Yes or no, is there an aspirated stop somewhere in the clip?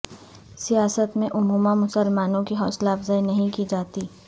no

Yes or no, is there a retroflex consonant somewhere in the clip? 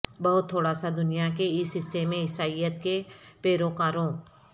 yes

